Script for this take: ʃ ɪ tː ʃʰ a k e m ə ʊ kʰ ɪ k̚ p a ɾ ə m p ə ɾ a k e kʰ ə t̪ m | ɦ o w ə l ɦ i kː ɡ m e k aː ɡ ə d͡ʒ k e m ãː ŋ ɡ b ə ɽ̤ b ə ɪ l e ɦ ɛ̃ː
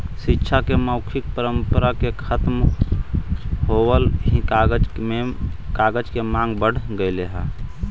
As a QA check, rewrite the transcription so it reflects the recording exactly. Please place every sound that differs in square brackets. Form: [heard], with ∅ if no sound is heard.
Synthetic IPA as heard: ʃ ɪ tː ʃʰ a k e m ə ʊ kʰ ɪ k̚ p [ə] ɾ ə m p ə ɾ a k e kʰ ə t̪ m | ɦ o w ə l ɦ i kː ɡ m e k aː ɡ ə d͡ʒ k e m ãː ŋ ɡ b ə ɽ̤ [ɡ] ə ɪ l e ɦ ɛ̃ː